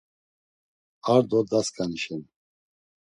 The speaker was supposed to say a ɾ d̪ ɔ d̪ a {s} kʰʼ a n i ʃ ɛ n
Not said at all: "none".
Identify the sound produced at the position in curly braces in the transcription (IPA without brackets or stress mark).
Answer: s